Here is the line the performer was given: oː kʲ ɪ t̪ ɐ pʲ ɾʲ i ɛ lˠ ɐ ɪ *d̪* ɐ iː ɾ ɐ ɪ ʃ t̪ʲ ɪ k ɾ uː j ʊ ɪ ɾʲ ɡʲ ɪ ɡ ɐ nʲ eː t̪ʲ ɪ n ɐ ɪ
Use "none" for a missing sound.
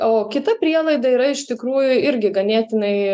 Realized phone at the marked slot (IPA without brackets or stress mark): d̪